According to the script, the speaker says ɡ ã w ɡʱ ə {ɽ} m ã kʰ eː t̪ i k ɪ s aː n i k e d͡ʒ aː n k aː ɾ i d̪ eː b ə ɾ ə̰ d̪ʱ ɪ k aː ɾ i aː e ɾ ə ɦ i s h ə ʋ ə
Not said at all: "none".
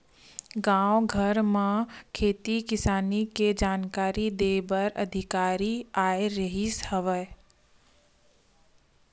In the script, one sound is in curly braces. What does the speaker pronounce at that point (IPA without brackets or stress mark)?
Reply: ɾ